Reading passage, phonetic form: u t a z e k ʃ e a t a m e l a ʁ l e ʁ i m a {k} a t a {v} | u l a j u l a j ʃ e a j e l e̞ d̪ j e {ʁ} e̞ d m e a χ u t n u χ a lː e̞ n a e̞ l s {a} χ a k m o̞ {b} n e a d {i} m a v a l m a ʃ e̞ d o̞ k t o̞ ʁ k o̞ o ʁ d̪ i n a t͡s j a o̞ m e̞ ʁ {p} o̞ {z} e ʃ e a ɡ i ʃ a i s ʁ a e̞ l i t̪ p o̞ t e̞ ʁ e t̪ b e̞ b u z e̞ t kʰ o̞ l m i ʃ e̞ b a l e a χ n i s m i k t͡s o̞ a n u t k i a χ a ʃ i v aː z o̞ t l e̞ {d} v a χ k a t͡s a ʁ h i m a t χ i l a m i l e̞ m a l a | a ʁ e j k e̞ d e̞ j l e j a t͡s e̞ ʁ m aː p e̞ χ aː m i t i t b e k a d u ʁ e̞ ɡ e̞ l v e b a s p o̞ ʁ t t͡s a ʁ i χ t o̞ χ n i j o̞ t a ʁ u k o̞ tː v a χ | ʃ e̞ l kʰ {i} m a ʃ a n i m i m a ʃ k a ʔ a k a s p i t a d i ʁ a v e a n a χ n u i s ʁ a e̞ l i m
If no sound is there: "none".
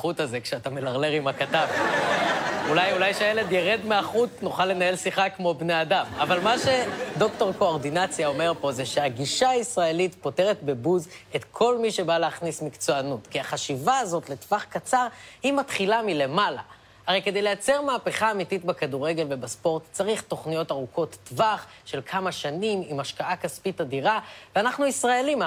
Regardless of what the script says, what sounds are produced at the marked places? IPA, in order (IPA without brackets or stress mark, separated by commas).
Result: k, v, ʁ, i, b, a, p, z, t, a